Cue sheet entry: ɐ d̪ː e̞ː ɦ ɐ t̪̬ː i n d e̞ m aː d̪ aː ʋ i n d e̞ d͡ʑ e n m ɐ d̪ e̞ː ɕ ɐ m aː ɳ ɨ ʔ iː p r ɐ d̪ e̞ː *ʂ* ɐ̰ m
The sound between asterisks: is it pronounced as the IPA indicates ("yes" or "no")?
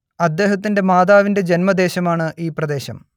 no